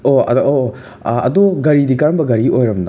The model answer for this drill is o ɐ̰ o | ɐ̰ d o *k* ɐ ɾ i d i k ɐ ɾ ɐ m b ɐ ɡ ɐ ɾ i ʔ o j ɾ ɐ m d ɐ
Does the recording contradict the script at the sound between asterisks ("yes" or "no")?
yes